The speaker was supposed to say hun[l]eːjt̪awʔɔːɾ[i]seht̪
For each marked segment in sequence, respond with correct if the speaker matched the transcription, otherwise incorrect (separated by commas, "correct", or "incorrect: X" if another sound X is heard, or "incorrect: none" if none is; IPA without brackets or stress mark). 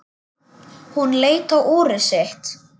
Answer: correct, incorrect: ɪ